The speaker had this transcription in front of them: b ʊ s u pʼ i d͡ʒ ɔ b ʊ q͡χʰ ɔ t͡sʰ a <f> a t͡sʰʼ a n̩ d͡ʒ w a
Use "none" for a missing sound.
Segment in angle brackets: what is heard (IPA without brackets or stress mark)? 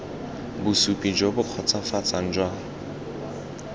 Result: f